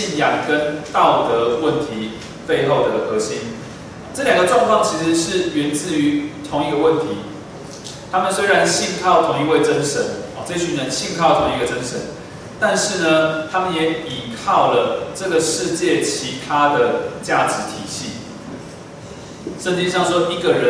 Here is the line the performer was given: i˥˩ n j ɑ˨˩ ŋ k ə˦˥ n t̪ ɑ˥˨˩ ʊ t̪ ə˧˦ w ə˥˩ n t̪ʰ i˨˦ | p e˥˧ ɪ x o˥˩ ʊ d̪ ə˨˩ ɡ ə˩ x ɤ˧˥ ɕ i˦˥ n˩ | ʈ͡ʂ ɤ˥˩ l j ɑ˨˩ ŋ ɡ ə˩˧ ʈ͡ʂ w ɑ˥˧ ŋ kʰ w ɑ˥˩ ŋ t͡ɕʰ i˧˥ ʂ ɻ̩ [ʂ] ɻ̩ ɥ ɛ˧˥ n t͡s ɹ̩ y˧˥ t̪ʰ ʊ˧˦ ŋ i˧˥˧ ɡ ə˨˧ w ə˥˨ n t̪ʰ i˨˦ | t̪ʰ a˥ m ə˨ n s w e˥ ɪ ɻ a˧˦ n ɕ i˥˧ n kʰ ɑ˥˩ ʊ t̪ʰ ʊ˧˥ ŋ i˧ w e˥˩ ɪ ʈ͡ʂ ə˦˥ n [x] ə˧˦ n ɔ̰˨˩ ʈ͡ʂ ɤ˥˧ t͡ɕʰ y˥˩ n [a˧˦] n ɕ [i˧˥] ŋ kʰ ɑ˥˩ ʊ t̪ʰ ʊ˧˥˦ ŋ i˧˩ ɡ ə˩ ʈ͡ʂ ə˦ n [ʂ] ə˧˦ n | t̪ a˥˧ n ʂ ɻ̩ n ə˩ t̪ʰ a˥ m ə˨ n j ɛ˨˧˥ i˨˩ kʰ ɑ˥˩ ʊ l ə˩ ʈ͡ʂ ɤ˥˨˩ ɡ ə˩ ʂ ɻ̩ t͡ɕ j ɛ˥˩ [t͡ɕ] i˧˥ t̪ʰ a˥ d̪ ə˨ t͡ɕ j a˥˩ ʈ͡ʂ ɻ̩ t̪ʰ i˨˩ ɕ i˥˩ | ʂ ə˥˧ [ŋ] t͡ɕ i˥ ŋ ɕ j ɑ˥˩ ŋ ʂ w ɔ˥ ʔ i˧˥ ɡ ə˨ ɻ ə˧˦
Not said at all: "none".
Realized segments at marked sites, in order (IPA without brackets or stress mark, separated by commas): ʂ, ʂ, ə˧˦, i˥˧, ʂ, t͡ɕʰ, n